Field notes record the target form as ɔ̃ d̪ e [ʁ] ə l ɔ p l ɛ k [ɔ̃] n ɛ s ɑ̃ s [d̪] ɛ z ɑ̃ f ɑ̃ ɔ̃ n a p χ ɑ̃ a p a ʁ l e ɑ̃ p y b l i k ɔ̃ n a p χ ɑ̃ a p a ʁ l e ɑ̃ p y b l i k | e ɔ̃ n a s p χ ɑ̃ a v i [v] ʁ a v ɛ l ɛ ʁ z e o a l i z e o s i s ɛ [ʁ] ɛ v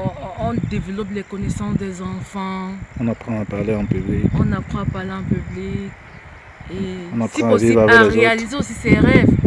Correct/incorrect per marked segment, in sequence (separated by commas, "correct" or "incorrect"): incorrect, incorrect, correct, correct, correct